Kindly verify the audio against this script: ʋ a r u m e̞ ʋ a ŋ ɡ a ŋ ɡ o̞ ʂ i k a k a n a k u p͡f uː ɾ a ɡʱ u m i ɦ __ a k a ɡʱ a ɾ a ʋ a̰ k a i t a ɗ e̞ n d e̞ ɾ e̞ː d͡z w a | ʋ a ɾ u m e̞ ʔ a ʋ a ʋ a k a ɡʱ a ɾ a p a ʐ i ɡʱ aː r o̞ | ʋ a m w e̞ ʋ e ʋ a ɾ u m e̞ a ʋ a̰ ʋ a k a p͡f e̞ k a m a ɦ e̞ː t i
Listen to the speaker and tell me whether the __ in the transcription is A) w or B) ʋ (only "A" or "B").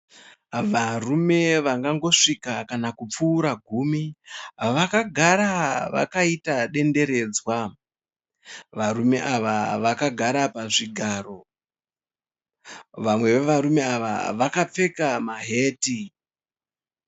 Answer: B